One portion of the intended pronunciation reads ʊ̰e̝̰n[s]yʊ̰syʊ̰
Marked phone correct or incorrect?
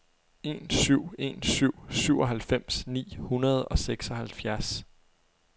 correct